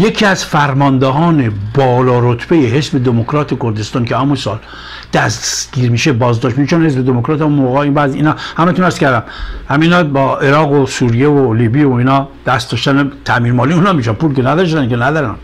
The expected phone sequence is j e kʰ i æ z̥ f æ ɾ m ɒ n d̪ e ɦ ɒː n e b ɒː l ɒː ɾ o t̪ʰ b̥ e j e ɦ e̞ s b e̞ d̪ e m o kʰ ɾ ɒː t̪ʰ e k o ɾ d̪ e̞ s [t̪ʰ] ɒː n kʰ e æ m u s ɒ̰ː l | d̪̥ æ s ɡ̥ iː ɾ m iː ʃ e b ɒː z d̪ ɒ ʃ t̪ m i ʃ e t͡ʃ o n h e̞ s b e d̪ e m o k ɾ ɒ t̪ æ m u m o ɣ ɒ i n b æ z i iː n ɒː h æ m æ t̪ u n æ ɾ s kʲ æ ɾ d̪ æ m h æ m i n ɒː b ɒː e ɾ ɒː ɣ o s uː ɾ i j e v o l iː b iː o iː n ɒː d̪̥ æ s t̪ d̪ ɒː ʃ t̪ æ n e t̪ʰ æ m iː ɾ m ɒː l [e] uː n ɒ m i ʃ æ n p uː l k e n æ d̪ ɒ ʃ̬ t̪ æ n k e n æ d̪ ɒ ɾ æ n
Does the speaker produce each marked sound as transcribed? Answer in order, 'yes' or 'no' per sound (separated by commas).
no, no